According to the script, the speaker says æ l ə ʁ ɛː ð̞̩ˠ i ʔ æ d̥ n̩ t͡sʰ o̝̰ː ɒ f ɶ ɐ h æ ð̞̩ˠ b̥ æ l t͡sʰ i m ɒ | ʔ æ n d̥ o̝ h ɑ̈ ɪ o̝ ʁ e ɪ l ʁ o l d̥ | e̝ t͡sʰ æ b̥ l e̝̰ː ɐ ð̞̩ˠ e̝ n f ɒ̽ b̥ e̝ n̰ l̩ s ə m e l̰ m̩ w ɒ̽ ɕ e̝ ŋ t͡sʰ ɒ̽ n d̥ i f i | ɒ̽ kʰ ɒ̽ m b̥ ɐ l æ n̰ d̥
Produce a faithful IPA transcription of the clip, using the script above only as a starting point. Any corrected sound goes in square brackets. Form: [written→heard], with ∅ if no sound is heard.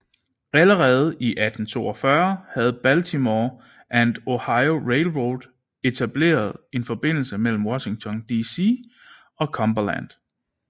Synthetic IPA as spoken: æ l ə ʁ ɛː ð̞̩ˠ i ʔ æ d̥ n̩ t͡sʰ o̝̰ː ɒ f ɶ ɐ h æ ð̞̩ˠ b̥ æ l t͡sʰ i m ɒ | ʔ æ n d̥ o̝ h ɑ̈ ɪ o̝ ʁ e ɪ l ʁ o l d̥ | e̝ t͡sʰ æ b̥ l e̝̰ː ɐ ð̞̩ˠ e̝ n f ɒ̽ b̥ e̝ n̰ l̩ s ə m e l̰ m̩ w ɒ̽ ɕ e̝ ŋ t͡sʰ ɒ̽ n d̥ i [f→s] i | ɒ̽ kʰ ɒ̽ m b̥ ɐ l æ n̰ d̥